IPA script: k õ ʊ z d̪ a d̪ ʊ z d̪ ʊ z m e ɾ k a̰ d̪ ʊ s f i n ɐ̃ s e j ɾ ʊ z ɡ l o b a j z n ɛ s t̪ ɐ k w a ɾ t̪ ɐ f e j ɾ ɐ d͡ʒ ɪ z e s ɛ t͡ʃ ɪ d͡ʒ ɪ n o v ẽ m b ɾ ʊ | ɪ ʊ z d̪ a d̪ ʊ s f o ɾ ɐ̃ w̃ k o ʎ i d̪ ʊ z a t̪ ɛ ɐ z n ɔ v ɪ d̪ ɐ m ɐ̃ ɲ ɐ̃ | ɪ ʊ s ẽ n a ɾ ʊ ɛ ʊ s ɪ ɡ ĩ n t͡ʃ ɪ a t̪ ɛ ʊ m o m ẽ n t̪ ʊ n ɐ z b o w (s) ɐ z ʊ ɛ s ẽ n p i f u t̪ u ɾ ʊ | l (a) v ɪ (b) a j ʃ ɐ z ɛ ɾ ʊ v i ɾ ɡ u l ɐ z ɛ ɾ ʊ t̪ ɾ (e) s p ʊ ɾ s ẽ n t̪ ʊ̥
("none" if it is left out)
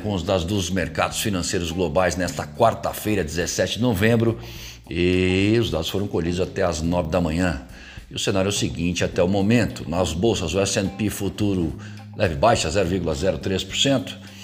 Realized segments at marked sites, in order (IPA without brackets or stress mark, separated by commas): s, ɛ, b, e